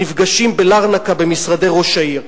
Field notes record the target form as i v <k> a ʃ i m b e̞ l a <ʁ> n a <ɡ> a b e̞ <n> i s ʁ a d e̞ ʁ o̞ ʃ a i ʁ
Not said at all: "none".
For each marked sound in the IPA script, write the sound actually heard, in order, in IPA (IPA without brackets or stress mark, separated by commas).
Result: ɡ, ʁ, k, m